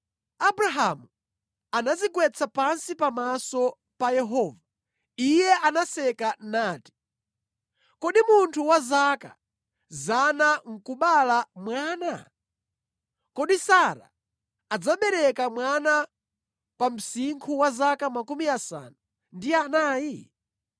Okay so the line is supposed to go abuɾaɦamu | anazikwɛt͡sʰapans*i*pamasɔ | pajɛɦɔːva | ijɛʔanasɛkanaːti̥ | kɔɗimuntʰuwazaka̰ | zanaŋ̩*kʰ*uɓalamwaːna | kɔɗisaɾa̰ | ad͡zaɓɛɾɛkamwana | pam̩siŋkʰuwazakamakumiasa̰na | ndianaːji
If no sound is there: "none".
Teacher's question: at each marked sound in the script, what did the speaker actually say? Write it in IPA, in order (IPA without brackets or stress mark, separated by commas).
i, k